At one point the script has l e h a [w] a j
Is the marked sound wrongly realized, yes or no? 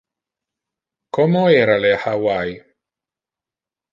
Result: no